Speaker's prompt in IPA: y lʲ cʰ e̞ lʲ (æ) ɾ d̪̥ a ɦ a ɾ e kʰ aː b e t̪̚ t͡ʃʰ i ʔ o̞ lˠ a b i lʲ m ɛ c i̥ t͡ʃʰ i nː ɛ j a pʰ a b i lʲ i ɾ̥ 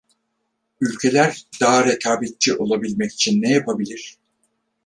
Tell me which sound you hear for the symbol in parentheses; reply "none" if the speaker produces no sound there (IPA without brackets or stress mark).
æ